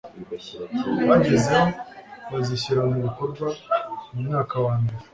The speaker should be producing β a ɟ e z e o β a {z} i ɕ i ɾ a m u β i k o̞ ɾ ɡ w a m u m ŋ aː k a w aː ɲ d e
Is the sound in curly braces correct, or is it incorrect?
correct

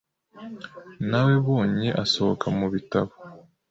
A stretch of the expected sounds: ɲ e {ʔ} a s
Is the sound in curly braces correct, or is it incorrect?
correct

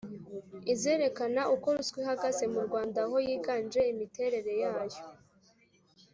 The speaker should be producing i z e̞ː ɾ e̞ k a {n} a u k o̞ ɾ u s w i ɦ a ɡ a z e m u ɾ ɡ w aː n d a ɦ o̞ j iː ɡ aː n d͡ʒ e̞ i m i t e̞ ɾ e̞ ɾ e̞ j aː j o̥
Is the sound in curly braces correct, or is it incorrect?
correct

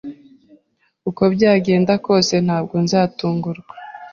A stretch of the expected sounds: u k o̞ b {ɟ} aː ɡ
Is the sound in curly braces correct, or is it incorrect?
correct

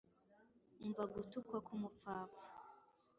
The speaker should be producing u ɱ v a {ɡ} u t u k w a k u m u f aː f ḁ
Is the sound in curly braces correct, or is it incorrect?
correct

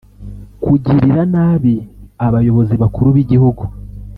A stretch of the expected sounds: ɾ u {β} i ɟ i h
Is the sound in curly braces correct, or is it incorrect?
correct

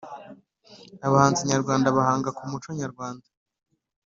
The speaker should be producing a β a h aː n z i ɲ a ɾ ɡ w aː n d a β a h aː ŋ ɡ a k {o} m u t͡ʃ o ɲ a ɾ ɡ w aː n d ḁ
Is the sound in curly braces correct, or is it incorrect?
incorrect: u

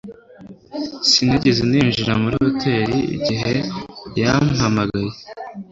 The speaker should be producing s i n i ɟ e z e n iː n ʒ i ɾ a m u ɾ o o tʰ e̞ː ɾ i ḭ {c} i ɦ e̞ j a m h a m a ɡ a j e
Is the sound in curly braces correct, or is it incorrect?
incorrect: ɟ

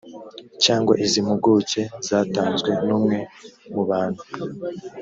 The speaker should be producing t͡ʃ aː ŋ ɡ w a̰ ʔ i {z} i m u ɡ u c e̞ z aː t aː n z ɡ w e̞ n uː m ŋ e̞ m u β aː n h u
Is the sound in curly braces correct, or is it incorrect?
correct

